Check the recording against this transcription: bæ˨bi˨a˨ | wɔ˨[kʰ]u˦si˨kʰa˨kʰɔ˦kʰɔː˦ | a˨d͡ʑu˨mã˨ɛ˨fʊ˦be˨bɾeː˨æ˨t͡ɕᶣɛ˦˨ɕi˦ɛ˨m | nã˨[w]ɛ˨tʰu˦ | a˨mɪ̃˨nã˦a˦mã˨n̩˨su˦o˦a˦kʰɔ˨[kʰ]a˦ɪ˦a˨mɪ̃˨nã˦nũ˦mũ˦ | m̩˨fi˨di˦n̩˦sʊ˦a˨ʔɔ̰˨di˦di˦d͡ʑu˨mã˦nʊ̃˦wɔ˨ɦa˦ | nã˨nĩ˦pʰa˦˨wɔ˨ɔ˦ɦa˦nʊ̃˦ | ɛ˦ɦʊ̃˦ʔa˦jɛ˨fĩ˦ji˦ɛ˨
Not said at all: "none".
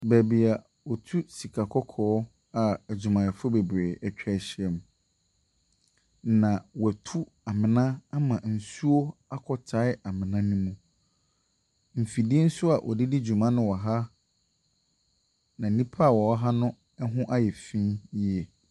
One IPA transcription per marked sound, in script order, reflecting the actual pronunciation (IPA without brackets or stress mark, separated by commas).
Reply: tʰ, w, tʰ